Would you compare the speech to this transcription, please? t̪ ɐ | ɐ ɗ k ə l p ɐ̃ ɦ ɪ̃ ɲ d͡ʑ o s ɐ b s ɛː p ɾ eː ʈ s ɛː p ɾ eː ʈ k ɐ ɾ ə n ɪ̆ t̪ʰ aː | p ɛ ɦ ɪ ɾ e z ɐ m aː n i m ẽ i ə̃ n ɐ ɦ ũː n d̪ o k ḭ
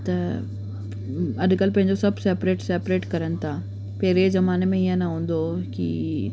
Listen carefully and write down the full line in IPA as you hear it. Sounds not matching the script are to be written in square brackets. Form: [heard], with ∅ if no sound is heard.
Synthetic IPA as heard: t̪ ɐ | ɐ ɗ k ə l p ɐ̃ ɦ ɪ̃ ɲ d͡ʑ o s ɐ b s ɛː p ɾ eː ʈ s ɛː p ɾ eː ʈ k ɐ ɾ ə n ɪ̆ t̪ʰ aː | p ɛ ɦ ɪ ɾ e z ɐ m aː n [e] m ẽ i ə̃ n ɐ ɦ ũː n d̪ o k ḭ

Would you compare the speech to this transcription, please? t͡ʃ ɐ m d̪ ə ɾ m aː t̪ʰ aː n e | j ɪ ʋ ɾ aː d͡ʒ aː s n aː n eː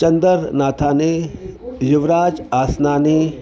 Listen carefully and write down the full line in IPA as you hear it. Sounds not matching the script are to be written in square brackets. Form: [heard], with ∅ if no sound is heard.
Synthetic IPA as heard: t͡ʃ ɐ [n] d̪ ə ɾ [n] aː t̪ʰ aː n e | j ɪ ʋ ɾ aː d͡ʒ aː s n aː n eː

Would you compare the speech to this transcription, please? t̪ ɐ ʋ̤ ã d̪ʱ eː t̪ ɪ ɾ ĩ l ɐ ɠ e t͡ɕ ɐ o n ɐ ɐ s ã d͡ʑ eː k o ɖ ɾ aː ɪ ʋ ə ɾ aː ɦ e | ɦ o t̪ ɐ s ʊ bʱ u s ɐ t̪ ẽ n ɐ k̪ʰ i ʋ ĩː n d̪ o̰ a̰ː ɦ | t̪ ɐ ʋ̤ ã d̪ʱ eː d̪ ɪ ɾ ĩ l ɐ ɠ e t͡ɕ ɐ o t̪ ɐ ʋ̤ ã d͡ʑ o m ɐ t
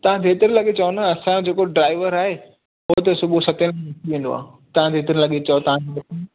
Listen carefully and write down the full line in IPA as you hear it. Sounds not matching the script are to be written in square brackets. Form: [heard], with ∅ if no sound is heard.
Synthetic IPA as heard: t̪ ɐ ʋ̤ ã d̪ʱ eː t̪ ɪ ɾ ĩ l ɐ ɠ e t͡ɕ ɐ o n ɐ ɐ s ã d͡ʑ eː k o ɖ ɾ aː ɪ ʋ ə ɾ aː ɦ e | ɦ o t̪ ɐ s ʊ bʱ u s ɐ t̪ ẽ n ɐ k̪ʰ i ʋ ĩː n d̪ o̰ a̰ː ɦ | t̪ ɐ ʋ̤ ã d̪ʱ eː [t̪] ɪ ɾ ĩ l ɐ ɠ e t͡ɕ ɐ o t̪ ɐ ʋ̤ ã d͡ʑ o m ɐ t

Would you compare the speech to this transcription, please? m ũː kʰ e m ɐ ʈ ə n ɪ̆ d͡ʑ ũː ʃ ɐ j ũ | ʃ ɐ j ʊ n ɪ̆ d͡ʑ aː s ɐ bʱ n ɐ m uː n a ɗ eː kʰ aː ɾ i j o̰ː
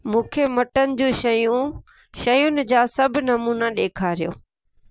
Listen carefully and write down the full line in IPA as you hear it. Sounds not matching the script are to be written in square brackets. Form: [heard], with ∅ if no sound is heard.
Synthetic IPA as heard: m ũː kʰ e m ɐ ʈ ə n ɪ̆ d͡ʑ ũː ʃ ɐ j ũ | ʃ ɐ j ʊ n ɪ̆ d͡ʑ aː s ɐ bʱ n ɐ m uː n a ɗ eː kʰ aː ɾ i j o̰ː

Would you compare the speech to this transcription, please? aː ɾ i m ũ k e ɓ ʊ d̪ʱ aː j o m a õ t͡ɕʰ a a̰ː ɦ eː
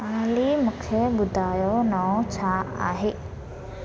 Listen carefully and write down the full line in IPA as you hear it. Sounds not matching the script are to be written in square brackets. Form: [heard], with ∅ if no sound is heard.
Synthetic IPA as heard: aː [l] i m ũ [kʰ] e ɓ ʊ d̪ʱ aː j o [n] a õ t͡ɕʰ a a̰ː ɦ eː

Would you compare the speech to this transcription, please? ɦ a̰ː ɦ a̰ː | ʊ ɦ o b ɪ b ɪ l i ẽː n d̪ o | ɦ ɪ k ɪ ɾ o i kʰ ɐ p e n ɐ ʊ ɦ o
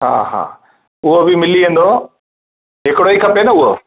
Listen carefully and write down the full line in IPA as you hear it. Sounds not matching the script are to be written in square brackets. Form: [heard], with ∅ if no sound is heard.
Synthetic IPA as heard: ɦ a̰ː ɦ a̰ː | ʊ ɦ o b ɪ [m] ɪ l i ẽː n d̪ o | ɦ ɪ k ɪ [ɽ] o i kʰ ɐ p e n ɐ ʊ ɦ o

